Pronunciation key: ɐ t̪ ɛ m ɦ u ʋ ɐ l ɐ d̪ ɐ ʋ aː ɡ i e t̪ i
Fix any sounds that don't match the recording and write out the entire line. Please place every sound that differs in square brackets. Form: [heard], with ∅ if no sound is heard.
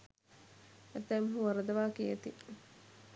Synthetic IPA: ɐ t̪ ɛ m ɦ u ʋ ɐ [ɾ] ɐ d̪ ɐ ʋ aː [k] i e t̪ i